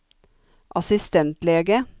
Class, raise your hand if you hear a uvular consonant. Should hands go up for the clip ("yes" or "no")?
no